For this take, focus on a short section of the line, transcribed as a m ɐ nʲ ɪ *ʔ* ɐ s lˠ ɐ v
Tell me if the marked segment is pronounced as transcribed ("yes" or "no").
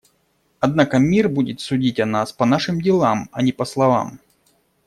no